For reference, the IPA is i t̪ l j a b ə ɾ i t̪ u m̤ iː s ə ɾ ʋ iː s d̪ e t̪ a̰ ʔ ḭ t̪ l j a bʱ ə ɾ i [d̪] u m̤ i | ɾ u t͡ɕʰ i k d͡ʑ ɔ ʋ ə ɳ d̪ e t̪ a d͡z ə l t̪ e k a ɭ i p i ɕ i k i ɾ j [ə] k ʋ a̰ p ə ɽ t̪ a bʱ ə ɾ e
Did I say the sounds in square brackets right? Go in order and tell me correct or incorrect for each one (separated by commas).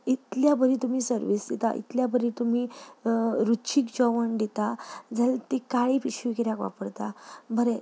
incorrect, incorrect